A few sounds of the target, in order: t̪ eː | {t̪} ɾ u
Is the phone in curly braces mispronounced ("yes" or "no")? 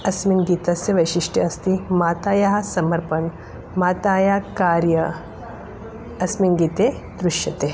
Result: yes